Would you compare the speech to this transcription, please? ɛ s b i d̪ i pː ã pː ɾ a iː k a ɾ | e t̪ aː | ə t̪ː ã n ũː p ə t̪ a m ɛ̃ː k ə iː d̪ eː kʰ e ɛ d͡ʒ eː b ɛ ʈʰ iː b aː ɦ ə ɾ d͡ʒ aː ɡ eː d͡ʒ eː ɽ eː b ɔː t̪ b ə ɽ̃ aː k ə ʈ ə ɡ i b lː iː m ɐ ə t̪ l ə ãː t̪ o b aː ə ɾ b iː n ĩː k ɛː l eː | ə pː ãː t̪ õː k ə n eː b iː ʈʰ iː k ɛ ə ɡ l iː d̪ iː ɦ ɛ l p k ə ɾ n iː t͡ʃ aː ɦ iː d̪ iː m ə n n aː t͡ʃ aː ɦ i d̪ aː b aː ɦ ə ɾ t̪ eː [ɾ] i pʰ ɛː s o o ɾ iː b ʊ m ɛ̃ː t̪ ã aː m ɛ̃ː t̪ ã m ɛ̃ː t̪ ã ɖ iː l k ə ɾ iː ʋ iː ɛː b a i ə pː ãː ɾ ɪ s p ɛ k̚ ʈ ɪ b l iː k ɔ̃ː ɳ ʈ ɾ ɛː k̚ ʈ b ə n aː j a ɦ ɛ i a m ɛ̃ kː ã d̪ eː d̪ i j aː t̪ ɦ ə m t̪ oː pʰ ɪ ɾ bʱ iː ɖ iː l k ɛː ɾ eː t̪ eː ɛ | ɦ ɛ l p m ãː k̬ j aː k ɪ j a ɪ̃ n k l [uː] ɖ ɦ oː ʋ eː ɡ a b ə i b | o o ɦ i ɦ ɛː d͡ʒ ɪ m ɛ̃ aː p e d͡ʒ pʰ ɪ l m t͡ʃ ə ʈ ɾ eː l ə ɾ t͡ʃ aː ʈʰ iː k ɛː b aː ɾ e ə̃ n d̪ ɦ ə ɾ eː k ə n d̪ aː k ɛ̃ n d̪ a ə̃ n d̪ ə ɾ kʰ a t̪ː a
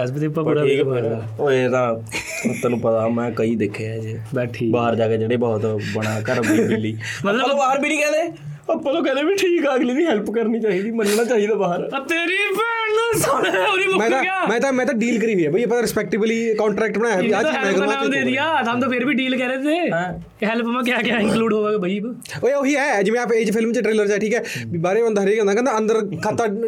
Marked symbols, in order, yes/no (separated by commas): yes, yes